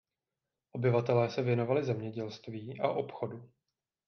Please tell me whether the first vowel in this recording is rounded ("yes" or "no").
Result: yes